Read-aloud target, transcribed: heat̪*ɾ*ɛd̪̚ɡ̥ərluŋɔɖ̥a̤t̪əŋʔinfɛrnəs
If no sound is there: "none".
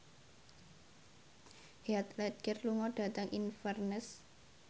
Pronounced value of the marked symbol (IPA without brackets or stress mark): l